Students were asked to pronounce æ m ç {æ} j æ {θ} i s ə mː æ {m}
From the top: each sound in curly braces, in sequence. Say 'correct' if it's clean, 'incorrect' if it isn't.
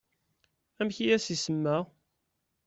incorrect, incorrect, incorrect

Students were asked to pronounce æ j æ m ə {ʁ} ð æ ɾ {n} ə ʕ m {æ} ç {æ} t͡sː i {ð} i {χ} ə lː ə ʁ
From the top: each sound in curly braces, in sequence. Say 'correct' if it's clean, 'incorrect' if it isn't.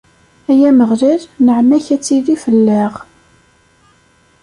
correct, correct, correct, correct, correct, incorrect

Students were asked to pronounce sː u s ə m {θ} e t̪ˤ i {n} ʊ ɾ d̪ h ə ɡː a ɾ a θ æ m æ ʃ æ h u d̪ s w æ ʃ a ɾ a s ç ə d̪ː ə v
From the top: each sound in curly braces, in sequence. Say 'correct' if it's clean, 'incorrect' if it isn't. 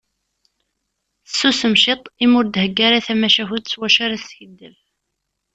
incorrect, incorrect

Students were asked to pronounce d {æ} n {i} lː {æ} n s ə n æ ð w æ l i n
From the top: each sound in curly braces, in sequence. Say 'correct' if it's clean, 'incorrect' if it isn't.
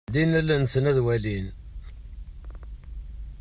incorrect, incorrect, correct

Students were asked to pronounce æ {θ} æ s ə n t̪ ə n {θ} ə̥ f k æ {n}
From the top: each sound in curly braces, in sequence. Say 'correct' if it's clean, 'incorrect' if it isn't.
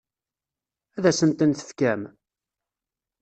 incorrect, correct, incorrect

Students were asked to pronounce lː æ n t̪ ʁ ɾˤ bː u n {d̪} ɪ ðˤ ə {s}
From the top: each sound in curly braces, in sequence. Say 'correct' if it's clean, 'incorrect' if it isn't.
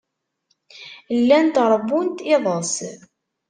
incorrect, correct

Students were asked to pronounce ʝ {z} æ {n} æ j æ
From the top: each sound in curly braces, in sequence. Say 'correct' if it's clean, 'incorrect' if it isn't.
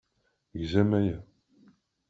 correct, incorrect

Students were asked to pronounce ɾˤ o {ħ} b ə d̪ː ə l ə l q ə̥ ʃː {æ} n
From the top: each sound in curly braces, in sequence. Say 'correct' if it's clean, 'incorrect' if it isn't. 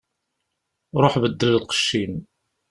correct, incorrect

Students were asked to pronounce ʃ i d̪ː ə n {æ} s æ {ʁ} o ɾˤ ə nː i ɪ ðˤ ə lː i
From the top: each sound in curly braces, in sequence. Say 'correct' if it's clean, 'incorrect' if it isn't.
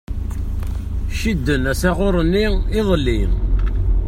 correct, correct

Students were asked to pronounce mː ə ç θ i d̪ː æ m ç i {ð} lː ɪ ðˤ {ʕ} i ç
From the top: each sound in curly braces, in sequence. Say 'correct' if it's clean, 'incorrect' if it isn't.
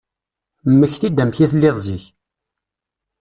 incorrect, incorrect

